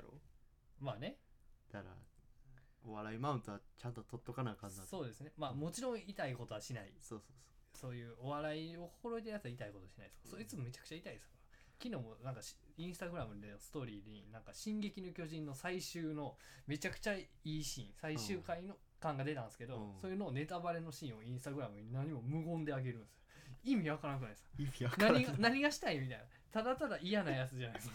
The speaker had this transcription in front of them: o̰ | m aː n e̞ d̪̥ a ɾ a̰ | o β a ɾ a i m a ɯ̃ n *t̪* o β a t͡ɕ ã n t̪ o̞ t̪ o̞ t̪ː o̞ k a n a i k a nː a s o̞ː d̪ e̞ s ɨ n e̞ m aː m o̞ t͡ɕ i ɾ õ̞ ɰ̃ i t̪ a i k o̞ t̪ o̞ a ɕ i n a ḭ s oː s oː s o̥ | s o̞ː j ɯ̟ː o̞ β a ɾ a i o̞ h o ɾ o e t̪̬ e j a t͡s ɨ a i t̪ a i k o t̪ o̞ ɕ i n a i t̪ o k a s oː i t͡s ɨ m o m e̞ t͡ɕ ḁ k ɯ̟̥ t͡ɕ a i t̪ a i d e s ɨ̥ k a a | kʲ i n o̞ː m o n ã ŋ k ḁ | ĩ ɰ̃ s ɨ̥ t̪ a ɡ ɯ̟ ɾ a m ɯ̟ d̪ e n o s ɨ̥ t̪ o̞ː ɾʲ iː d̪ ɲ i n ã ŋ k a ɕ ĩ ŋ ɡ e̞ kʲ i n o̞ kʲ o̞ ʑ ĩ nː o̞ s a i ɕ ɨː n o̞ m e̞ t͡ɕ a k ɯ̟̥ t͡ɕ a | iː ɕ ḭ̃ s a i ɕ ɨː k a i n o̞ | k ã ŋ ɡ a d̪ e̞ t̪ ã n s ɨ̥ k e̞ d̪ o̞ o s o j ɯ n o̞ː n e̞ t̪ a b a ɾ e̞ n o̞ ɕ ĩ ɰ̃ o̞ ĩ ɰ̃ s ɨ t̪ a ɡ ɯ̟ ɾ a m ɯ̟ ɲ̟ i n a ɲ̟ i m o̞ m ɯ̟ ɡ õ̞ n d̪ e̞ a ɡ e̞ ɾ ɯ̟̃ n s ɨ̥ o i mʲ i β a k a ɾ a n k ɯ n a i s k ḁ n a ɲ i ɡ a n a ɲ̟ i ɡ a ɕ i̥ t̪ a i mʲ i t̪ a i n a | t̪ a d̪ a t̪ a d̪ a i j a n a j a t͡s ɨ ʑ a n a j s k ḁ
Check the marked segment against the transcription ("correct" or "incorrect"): correct